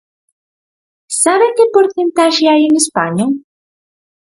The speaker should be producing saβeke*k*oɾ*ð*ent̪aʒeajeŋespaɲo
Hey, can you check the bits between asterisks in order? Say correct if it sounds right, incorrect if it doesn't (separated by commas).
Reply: incorrect, incorrect